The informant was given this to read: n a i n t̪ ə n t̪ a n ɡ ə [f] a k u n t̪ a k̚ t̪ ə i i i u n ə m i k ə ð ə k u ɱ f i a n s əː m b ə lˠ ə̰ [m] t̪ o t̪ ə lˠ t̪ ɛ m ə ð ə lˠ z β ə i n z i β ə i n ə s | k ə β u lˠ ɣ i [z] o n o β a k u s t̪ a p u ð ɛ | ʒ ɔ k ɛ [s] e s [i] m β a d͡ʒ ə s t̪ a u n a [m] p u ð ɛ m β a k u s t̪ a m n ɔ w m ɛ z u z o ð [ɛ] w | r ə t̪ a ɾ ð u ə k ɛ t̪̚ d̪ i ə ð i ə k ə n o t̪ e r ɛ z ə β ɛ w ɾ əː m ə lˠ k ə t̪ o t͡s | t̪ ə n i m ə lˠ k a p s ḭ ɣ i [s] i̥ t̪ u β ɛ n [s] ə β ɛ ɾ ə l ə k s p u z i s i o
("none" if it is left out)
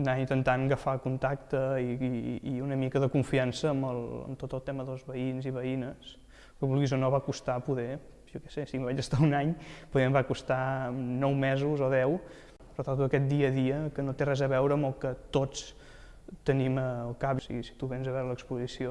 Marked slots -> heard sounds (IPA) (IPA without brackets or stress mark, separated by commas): f, m, z, s, i, ɲ, ɛ, s, z